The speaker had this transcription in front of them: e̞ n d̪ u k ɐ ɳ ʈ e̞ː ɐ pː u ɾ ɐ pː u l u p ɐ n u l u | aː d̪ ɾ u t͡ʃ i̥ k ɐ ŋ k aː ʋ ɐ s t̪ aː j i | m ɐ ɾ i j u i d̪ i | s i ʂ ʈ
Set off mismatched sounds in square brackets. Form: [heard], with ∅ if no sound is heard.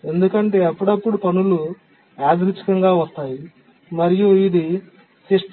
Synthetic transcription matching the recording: e̞ n d̪ u k ɐ ɳ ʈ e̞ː ɐ pː u [ɽ] ɐ pː u [ɽ] u p ɐ n u l u | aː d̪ ɾ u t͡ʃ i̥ k ɐ ŋ [ɡ] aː ʋ ɐ s t̪ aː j i | m ɐ ɾ i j u i d̪ i | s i ʂ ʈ